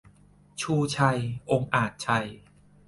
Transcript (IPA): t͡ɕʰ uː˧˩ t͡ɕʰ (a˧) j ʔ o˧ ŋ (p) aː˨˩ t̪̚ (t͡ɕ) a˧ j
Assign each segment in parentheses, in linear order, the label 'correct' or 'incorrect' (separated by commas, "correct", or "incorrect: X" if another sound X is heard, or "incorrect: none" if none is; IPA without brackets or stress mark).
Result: correct, incorrect: ʔ, incorrect: t͡ɕʰ